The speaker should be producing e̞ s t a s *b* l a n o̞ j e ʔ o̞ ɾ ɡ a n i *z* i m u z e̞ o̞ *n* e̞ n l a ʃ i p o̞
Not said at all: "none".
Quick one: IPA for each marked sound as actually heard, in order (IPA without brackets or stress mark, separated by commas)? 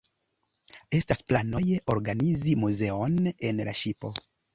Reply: p, z, n